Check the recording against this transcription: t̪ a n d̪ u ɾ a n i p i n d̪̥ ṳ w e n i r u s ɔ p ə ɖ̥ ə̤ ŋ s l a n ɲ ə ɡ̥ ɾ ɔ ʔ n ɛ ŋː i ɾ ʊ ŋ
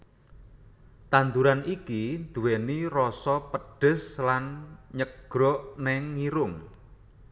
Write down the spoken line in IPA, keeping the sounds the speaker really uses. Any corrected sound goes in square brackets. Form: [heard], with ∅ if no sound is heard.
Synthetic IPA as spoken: t̪ a n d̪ u ɾ a n i [k] i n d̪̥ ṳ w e n i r [ɔ] s ɔ p ə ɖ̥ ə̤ [∅] s l a n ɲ ə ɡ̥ ɾ ɔ ʔ n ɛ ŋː i ɾ ʊ ŋ